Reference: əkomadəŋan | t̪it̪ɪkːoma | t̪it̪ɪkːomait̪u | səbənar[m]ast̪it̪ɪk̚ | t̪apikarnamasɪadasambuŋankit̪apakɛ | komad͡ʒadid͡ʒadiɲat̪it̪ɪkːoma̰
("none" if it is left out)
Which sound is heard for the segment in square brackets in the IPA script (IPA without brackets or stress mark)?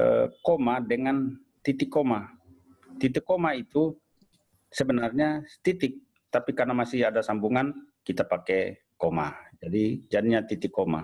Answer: ɲ